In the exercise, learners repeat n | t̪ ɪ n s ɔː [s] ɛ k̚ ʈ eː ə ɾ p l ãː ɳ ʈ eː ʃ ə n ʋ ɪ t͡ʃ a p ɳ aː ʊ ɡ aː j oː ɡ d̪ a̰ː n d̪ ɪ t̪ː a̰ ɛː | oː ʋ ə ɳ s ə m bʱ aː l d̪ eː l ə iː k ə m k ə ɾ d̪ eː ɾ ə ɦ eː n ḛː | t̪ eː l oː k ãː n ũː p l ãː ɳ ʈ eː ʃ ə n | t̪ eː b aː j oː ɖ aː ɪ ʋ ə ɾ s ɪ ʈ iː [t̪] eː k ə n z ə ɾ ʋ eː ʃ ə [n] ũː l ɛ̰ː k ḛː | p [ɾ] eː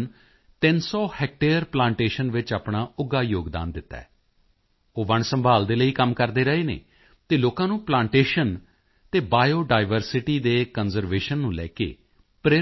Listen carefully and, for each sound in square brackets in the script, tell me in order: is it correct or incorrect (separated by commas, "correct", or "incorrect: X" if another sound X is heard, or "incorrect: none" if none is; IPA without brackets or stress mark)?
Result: incorrect: h, incorrect: d̪, incorrect: nː, correct